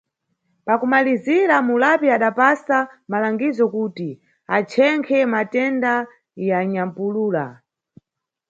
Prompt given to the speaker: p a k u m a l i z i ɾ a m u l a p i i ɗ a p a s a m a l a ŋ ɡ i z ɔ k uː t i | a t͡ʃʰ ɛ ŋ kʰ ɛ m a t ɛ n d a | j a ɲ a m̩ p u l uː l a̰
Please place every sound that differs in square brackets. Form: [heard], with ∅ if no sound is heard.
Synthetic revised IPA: p a k u m a l i z i ɾ a m u l a p i [a] ɗ a p a s a m a l a ŋ ɡ i z ɔ k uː t i | a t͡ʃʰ ɛ ŋ kʰ ɛ m a t ɛ n d a | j a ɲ a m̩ p u l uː l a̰